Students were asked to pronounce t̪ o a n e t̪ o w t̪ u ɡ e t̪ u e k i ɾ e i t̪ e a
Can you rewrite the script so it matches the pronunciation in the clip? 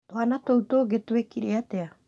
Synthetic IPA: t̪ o a n a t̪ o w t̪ o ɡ e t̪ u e k i ɾ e a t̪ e a